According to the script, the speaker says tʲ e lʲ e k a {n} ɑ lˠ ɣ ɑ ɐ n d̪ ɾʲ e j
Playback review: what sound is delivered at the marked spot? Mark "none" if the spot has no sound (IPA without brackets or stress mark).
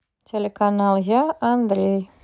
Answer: n